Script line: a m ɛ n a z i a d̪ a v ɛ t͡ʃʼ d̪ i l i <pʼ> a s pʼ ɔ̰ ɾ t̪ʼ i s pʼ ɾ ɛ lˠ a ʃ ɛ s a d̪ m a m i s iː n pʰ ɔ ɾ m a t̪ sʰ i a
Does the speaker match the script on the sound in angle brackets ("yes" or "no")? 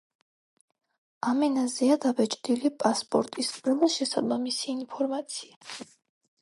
yes